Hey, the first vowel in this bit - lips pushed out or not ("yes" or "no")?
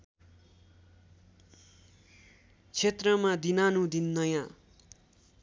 no